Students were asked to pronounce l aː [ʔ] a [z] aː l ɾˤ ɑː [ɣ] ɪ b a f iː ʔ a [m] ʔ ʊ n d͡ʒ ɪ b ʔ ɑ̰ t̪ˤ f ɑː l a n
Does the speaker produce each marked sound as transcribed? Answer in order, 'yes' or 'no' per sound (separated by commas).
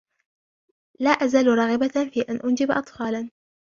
yes, yes, yes, no